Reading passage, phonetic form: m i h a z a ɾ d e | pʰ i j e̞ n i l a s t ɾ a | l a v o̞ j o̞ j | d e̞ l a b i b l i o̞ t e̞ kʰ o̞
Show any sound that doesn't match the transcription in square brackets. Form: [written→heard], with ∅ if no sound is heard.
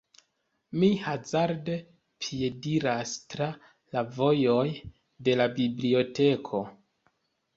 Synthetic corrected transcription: m i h a z a ɾ d e | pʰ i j e̞ [n→d] i [l→ɾ] a s t ɾ a | l a v o̞ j o̞ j | d e̞ l a b i b l i o̞ t e̞ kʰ o̞